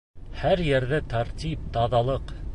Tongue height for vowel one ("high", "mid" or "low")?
low